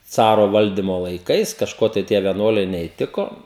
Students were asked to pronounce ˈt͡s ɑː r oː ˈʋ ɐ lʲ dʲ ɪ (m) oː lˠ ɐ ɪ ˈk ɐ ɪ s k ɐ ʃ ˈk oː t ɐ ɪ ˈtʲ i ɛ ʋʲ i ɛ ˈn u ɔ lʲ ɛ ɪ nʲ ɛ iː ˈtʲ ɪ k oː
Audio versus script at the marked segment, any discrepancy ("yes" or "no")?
no